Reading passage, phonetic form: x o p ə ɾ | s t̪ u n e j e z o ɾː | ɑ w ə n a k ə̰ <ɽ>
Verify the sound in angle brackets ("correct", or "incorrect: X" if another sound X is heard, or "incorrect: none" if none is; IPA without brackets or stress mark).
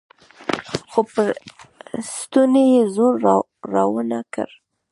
incorrect: ɾ